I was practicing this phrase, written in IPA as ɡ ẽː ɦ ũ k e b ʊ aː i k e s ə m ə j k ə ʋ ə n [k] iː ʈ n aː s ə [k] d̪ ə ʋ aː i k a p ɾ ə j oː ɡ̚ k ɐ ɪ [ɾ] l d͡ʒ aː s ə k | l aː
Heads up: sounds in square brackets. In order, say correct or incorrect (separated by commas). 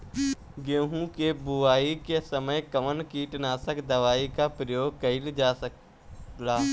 correct, correct, incorrect